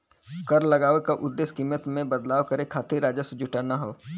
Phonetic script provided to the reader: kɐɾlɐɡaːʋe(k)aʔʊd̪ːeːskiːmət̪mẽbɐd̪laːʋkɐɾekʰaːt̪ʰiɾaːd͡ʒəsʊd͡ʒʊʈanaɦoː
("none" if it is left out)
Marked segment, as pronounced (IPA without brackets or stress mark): k